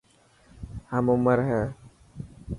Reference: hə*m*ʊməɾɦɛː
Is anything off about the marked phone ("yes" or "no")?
no